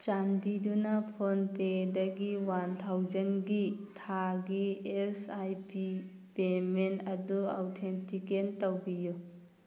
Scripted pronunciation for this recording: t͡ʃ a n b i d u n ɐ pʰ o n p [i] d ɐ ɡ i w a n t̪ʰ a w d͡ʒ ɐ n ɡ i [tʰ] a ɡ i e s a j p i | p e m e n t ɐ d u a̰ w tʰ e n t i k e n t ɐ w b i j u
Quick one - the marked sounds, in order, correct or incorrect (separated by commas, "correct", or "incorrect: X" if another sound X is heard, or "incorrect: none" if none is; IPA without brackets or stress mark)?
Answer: incorrect: e, correct